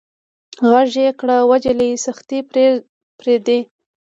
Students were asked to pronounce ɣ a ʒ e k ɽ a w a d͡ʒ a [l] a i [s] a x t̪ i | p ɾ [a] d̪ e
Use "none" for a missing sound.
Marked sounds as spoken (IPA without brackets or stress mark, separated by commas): l, s, e